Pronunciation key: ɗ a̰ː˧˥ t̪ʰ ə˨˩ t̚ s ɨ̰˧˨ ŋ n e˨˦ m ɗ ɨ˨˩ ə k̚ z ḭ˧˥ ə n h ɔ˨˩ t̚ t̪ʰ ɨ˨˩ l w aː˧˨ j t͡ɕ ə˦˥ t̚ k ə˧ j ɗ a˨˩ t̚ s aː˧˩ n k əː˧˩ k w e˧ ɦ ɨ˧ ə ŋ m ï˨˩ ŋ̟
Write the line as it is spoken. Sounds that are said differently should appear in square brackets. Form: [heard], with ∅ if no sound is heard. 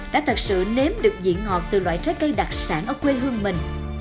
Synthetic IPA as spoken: ɗ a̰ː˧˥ t̪ʰ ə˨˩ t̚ s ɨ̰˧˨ [∅] n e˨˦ m ɗ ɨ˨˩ ə k̚ z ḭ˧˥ ə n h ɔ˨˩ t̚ [t̪] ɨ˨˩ l w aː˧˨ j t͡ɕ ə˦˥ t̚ k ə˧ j ɗ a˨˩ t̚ s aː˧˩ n [ʔ] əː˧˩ k w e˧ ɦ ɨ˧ ə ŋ m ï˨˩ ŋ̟